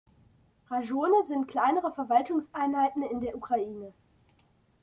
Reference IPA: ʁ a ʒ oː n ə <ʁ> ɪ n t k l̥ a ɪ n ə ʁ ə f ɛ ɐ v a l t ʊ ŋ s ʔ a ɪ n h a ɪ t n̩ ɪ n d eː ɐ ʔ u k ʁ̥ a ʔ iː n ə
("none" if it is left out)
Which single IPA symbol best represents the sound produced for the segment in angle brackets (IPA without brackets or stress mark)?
z